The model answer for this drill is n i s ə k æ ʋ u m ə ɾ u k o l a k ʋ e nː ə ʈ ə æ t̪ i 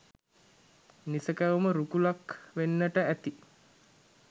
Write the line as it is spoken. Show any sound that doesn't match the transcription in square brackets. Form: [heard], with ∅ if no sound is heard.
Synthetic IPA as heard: n i s ə k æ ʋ u m ə ɾ u k [u] l a k ʋ e nː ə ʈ ə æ t̪ i